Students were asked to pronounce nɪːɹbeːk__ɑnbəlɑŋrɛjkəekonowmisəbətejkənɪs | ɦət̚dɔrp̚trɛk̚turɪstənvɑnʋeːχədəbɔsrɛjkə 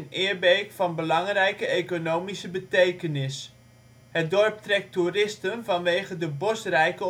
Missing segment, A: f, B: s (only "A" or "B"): A